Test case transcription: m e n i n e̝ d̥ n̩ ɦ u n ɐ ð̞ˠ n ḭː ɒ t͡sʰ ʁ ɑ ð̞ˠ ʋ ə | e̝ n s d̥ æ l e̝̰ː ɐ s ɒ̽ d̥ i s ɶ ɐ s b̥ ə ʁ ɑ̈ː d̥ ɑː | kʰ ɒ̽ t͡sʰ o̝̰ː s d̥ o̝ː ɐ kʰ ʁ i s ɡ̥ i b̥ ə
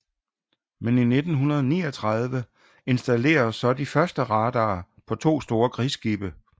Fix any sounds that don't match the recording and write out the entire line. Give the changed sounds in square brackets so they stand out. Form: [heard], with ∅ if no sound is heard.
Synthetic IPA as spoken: m e n i n e̝ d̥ n̩ ɦ u n ɐ ð̞ˠ n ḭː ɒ t͡sʰ ʁ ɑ ð̞ˠ ʋ ə | e̝ n s d̥ æ l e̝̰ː ɐ s ɒ̽ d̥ i [f] ɶ ɐ s [d̥] ə ʁ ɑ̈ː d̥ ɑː | [pʰ] ɒ̽ t͡sʰ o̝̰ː s d̥ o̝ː ɐ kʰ ʁ i s ɡ̥ i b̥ ə